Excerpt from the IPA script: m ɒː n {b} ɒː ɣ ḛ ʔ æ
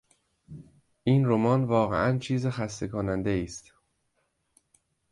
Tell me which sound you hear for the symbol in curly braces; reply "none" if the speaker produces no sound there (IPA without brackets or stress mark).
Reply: v